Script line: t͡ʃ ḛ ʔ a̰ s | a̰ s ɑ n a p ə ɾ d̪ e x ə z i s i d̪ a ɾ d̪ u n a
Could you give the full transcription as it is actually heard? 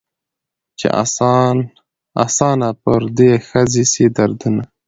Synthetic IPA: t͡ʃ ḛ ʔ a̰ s | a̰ s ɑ n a p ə ɾ d̪ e x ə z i s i d̪ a ɾ d̪ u n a